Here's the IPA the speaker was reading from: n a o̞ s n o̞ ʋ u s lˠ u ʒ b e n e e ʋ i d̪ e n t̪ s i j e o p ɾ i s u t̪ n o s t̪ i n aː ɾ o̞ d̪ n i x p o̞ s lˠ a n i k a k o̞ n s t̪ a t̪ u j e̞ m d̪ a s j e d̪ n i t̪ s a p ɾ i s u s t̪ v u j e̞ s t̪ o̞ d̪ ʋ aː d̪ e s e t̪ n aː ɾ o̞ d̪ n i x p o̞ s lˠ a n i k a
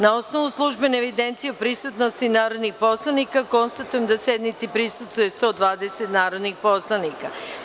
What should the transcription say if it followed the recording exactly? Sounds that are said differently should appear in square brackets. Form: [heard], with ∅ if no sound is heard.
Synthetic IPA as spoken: n a o̞ s n o̞ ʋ u s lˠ u ʒ b e n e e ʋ i d̪ e n t̪ s i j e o p ɾ i s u t̪ n o s t̪ i n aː ɾ o̞ d̪ n i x p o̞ s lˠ a n i k a k o̞ n s t̪ a t̪ u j e̞ m d̪ a s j e d̪ n i t̪ s [i] p ɾ i s u s t̪ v u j e̞ s t̪ o̞ d̪ ʋ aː d̪ e s e t̪ n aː ɾ o̞ d̪ n i x p o̞ s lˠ a n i k a